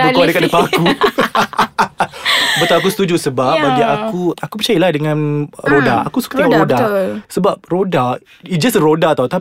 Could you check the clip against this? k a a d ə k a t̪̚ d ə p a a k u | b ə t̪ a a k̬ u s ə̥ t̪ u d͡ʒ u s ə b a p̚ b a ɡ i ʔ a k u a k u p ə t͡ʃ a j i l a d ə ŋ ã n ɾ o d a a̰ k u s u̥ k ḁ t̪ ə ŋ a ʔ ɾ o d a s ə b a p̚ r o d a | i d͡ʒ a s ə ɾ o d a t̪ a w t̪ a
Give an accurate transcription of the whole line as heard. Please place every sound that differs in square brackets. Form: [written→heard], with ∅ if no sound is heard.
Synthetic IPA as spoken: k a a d ə k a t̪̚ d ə p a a k u | b ə t̪ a a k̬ u s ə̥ t̪ u d͡ʒ u s ə b a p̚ b a ɡ i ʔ a k u a k u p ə t͡ʃ a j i l a d ə ŋ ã n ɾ o d a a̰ k u s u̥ k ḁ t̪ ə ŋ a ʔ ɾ o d a s ə b a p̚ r o d a | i d͡ʒ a s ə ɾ o d a t̪ a w t̪ a